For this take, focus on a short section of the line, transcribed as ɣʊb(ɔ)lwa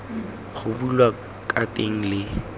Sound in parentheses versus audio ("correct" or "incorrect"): incorrect